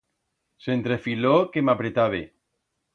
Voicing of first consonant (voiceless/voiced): voiceless